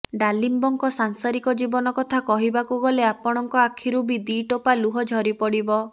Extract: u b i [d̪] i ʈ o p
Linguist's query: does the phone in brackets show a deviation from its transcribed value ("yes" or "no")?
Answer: no